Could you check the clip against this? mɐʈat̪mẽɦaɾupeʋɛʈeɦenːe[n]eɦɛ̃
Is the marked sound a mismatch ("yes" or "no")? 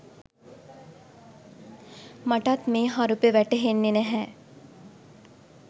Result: no